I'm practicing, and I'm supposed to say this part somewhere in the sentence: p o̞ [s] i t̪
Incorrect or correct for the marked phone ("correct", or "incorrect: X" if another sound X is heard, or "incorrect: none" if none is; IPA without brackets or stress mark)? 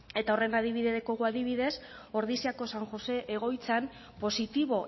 correct